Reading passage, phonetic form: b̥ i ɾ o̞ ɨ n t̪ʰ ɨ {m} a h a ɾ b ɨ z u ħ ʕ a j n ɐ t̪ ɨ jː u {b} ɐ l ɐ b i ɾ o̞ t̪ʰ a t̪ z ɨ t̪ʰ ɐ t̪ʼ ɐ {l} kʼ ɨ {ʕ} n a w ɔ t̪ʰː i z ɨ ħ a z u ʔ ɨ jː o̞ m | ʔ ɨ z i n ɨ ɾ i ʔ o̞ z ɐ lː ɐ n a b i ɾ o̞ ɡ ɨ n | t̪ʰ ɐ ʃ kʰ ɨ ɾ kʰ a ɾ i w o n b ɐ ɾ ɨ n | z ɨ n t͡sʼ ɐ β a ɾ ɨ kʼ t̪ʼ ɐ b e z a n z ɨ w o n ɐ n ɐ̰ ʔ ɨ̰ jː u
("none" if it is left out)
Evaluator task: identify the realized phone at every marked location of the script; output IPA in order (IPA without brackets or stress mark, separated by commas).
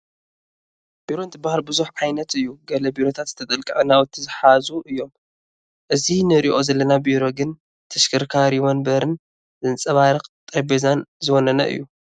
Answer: b, ɡ, l, ʕ